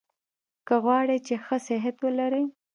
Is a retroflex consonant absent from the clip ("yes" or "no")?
no